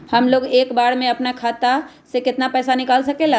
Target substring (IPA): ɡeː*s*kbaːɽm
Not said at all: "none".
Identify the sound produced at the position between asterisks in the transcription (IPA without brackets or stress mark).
none